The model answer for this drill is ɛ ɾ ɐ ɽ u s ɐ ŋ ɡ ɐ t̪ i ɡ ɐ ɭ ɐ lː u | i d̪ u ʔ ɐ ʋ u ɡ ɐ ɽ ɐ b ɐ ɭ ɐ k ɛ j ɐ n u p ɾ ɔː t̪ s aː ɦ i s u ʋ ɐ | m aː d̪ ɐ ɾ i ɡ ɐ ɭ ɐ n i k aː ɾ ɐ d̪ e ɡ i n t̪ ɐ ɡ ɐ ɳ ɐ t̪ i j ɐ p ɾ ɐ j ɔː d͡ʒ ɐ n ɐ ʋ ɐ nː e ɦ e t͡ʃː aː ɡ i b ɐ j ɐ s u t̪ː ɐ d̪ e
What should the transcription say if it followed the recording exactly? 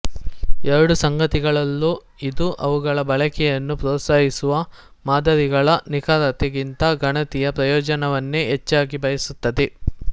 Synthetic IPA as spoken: ɛ ɾ ɐ ɽ u s ɐ ŋ ɡ ɐ t̪ i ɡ ɐ ɭ ɐ lː u | i d̪ u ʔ ɐ ʋ u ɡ ɐ ɭ ɐ b ɐ ɭ ɐ k ɛ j ɐ nː u p ɾ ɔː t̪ s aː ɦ i s u ʋ ɐ | m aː d̪ ɐ ɾ i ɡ ɐ ɭ ɐ n i k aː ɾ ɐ t̪ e ɡ i n t̪ ɐ ɡ ɐ ɳ ɐ t̪ i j ɐ p ɾ ɐ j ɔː d͡ʒ ɐ n ɐ ʋ ɐ nː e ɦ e t͡ʃː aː ɡ i b ɐ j ɐ s u t̪ː ɐ d̪ e